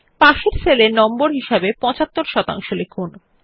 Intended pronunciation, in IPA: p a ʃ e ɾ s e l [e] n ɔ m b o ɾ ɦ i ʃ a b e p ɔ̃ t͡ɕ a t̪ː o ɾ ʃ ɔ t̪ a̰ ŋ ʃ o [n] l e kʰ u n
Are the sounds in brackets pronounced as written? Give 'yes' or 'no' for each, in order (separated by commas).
yes, no